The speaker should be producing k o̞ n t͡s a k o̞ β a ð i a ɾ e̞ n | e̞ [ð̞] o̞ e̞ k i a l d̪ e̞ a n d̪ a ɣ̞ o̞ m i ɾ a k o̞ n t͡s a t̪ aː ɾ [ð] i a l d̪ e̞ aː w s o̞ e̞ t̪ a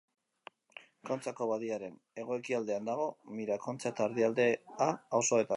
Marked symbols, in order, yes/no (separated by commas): no, yes